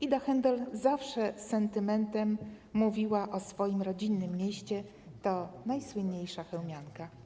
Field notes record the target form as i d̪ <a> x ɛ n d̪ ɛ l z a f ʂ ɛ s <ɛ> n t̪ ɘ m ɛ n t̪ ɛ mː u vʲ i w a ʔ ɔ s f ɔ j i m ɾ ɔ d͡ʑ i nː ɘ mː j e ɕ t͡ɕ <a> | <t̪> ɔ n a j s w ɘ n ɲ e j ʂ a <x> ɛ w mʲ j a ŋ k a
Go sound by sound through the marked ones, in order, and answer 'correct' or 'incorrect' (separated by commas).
correct, correct, incorrect, correct, correct